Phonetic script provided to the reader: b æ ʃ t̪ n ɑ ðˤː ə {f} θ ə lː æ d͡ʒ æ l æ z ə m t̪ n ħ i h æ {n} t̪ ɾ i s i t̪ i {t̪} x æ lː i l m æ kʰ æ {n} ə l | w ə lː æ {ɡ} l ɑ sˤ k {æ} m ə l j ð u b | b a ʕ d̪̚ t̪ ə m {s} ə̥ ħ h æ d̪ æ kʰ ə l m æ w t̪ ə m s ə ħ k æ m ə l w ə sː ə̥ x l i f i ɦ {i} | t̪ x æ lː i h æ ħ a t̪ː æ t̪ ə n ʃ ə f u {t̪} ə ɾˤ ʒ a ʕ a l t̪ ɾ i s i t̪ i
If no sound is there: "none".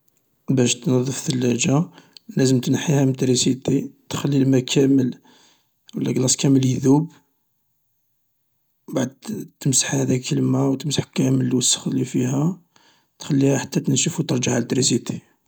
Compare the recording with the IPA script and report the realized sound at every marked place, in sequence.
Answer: f, m, t̪, m, ɡ, æ, s, æ, t̪

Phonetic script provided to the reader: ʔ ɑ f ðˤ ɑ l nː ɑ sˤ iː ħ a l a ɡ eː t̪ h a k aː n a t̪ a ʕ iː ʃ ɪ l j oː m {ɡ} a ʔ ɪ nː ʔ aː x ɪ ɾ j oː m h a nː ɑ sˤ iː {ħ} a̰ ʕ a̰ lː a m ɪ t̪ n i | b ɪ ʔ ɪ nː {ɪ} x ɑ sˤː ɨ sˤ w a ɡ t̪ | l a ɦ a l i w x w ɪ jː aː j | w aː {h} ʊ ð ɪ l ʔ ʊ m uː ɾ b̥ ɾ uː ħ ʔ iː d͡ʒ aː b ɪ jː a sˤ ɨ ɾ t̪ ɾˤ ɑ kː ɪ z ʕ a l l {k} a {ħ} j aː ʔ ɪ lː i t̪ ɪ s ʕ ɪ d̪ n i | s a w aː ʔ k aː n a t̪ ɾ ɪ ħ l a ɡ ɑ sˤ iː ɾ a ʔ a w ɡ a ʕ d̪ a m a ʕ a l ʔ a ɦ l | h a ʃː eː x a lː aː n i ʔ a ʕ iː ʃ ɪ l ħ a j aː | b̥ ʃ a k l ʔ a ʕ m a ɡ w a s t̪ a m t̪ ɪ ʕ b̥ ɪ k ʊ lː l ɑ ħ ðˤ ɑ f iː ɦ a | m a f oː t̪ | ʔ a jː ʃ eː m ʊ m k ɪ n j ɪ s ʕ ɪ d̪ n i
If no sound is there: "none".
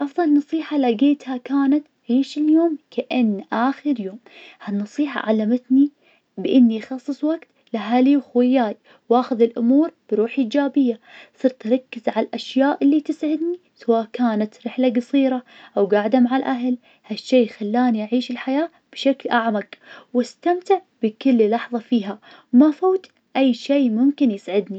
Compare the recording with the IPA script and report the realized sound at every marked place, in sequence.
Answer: k, ħ, i, x, ʔ, ʃ

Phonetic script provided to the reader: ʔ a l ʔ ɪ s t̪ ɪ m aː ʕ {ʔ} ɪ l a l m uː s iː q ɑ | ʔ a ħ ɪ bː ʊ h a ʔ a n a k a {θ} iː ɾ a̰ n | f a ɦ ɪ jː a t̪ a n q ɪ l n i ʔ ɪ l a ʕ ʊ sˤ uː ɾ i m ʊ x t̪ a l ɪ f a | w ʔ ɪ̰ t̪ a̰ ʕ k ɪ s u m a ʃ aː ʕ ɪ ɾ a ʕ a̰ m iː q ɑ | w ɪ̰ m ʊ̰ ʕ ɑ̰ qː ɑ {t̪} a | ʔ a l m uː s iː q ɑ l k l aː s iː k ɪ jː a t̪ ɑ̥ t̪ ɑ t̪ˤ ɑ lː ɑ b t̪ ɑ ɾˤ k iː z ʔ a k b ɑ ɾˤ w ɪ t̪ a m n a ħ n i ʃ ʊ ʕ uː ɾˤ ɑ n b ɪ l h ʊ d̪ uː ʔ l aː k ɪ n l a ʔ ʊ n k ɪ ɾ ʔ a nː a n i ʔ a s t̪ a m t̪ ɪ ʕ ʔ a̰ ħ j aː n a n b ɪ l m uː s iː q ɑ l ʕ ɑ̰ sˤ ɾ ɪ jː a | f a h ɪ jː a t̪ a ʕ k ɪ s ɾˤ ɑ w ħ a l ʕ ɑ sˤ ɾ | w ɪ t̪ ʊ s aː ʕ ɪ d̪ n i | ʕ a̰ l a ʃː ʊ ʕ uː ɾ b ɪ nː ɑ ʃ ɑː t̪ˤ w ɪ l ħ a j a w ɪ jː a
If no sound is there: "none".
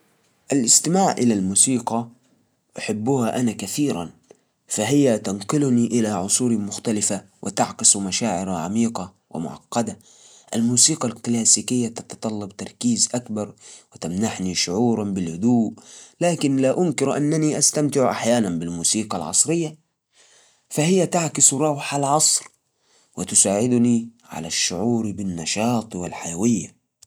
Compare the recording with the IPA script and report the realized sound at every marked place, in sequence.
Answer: ʔ, θ, d̪

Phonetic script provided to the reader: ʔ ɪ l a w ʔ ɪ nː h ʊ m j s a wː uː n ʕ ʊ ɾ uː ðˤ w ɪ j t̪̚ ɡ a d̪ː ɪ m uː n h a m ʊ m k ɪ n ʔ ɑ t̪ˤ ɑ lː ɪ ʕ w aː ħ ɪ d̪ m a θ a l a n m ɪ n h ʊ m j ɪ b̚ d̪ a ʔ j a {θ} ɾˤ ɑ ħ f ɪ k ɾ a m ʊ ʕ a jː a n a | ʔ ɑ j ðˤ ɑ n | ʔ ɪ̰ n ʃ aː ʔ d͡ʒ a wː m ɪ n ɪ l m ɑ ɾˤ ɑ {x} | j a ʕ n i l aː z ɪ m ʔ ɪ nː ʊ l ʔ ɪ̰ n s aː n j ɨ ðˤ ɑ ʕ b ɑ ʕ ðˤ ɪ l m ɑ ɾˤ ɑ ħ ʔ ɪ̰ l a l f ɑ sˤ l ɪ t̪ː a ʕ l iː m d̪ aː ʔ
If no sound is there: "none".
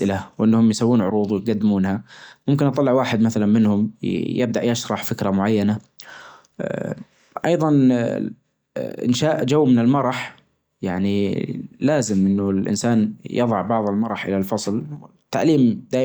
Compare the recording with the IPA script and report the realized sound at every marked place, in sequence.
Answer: ʃ, ħ

